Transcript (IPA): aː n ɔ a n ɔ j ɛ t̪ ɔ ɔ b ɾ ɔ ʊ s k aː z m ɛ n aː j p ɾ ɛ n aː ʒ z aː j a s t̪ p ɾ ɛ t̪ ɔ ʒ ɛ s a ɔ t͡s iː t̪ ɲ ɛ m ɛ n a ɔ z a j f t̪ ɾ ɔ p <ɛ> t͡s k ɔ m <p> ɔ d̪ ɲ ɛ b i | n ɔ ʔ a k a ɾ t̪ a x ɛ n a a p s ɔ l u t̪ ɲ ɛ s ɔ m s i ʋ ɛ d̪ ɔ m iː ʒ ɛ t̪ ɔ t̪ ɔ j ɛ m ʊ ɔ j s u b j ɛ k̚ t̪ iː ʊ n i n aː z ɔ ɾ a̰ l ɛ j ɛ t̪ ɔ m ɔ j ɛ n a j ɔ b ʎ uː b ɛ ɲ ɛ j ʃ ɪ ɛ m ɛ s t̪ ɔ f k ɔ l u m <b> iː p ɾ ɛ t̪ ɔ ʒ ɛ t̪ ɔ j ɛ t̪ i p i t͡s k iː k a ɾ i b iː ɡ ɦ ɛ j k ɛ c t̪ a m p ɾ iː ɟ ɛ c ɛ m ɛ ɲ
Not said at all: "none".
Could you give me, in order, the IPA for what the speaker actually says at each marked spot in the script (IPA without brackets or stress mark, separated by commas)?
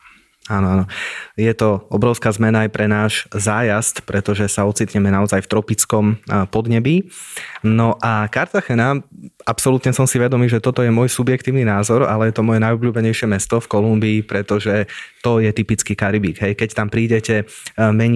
i, p, b